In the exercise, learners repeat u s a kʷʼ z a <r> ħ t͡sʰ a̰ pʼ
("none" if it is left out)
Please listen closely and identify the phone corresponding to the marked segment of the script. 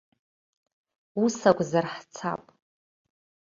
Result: r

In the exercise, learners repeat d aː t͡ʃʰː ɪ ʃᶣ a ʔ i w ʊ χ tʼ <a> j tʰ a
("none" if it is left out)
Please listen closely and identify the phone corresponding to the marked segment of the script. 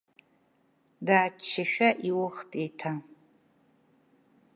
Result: e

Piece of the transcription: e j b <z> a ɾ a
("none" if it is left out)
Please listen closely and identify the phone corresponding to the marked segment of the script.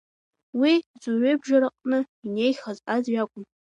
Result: ʒ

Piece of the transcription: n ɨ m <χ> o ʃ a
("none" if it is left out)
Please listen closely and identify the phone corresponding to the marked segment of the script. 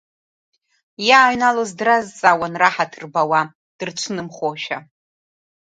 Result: χ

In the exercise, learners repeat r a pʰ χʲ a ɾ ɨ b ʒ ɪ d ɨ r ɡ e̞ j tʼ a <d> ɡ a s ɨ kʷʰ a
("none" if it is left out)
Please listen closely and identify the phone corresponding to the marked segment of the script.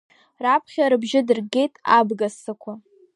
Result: b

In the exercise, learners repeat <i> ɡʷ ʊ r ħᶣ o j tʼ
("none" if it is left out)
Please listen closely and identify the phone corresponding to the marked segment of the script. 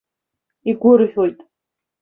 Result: i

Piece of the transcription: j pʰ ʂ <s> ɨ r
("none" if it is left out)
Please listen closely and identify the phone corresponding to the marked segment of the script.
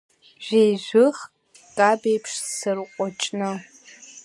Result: s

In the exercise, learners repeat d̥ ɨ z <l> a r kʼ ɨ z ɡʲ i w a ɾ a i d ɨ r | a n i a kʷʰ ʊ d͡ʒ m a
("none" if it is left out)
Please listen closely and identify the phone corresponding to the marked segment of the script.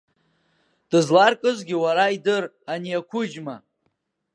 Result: l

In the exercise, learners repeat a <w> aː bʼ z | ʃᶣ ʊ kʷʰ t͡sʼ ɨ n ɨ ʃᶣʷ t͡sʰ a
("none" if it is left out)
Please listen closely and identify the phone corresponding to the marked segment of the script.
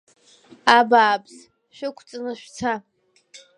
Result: b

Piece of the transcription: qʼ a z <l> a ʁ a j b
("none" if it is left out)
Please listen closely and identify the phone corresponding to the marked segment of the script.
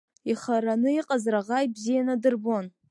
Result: r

